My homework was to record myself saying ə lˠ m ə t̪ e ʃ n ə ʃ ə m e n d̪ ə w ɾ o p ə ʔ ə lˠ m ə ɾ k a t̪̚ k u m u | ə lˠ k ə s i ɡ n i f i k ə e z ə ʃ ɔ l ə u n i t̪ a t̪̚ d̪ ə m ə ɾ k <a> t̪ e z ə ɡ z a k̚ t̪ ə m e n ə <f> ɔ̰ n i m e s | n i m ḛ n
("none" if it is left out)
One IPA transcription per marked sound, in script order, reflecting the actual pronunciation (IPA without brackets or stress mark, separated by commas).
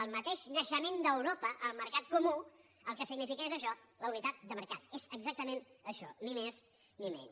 a, ʃ